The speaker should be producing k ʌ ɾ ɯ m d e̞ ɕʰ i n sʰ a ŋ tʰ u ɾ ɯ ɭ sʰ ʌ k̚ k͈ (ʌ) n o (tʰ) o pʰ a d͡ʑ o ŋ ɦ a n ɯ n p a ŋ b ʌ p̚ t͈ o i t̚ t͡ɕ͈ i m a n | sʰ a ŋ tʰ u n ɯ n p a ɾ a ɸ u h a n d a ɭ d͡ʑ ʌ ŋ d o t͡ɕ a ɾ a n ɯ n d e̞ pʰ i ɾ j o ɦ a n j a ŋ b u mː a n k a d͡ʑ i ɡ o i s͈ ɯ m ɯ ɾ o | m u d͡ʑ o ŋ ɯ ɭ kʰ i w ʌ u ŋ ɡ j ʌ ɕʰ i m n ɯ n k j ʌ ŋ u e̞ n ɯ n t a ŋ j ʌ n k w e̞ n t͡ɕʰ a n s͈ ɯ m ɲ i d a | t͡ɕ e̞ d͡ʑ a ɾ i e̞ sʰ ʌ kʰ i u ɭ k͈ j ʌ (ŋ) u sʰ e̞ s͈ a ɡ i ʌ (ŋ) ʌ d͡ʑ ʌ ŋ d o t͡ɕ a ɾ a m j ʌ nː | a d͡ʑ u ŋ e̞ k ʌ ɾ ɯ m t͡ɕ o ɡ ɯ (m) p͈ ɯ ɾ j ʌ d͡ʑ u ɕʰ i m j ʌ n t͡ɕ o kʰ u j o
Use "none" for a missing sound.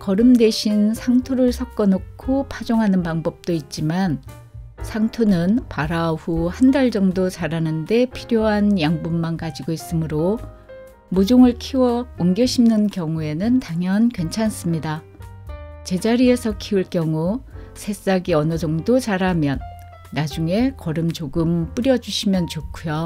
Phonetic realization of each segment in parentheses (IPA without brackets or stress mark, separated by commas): ʌ, kʰ, ŋ, n, m